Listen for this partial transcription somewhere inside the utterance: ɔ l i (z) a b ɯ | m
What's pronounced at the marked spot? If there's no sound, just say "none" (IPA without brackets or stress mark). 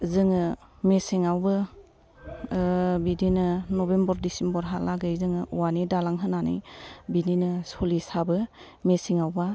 s